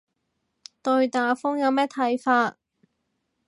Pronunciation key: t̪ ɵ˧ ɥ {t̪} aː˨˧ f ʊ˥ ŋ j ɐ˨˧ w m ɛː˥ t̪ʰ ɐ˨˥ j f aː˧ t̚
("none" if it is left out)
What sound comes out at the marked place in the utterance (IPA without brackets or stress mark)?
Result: t̪